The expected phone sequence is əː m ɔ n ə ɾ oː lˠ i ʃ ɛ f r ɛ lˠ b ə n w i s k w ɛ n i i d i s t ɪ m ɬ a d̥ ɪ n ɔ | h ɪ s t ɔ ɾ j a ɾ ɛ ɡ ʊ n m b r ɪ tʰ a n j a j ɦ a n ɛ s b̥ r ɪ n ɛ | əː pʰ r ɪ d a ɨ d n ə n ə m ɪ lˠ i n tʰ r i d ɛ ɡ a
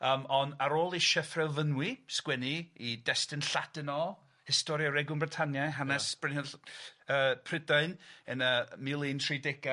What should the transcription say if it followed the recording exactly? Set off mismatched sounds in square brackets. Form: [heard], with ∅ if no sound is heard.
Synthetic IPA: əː m ɔ n [a] ɾ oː lˠ i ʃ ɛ f r ɛ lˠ [v] ə n w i s k w ɛ n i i d [ɛ] s t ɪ [n] ɬ a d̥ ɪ n ɔ | h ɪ s t ɔ ɾ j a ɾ ɛ ɡ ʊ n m b r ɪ tʰ a n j a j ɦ a n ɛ s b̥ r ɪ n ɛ | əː pʰ r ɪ d a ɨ [∅] n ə n ə m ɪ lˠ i n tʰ r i d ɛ ɡ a